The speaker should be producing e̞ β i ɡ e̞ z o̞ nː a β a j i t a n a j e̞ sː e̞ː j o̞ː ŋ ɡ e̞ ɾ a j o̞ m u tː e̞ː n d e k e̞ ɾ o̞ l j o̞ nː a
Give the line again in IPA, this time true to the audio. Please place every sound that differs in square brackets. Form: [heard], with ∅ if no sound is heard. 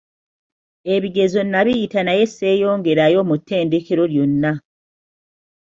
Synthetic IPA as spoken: e̞ β i ɡ e̞ z o̞ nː a β [i] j i t a n a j e̞ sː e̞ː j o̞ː ŋ ɡ e̞ ɾ a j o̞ m u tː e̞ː n d e k e̞ ɾ o̞ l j o̞ nː a